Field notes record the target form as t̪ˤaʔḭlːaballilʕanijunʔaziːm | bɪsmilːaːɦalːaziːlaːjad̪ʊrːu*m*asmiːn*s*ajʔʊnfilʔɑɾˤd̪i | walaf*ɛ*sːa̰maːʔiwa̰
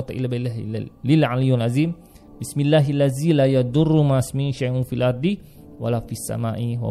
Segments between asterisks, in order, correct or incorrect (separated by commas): correct, incorrect, incorrect